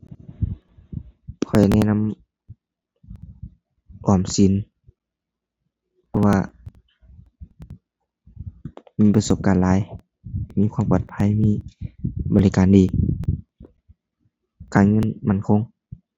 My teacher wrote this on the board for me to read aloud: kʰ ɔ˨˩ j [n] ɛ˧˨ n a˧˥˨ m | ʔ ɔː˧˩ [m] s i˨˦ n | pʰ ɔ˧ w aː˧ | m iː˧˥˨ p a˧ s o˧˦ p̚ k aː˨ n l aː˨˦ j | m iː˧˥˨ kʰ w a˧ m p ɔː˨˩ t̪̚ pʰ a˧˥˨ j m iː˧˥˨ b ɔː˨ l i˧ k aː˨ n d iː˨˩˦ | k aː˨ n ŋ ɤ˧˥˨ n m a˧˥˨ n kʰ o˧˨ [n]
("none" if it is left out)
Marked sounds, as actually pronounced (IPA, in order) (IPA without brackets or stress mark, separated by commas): n, m, ŋ